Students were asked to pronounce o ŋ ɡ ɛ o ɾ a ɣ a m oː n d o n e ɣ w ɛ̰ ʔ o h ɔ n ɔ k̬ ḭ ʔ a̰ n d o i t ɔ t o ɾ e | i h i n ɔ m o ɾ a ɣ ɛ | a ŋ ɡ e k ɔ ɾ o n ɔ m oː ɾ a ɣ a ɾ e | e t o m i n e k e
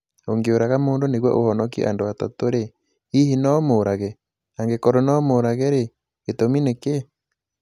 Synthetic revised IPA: o ŋ ɡ e o ɾ a ɣ a m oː n d o n e ɣ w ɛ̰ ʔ o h ɔ n ɔ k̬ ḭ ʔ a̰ n d o a t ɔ t o ɾ e | i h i n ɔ m o ɾ a ɣ ɛ | a ŋ ɡ e k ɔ ɾ o n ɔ m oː ɾ a ɣ ɛ ɾ e | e t o m i n e k e